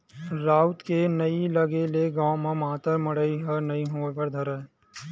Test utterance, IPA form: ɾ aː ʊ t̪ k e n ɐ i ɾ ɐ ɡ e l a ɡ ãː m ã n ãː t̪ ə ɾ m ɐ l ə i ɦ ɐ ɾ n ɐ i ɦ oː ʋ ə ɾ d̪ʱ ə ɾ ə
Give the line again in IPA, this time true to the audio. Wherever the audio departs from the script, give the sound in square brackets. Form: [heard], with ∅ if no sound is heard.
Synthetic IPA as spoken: ɾ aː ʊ t̪ k e n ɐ i [l] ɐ ɡ e l [e] ɡ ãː m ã [m] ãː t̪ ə ɾ m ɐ [ɽ] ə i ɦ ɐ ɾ n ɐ i ɦ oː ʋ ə ɾ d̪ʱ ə ɾ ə